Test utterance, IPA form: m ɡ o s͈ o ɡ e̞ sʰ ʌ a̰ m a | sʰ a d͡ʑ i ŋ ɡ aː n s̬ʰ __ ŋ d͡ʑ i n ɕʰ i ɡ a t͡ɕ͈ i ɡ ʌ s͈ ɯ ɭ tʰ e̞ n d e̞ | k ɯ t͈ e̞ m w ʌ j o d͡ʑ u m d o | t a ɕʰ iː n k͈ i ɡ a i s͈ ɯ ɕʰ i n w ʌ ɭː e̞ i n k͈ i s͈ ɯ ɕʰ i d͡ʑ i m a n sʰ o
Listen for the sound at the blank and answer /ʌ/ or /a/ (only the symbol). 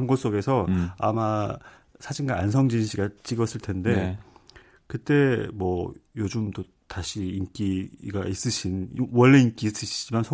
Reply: ʌ